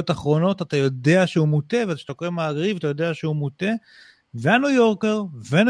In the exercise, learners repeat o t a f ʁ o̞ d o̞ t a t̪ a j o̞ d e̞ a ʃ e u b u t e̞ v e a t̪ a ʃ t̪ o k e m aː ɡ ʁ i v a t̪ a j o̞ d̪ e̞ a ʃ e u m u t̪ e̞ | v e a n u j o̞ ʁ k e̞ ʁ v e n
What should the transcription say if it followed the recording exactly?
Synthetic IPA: o t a χ ʁ o̞ n o̞ t a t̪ a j o̞ d e̞ a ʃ e u m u t e̞ v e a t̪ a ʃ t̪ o k e m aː ɡ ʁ i v a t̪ a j o̞ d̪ e̞ a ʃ e u m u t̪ e̞ | v e a n u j o̞ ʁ k e̞ ʁ v e n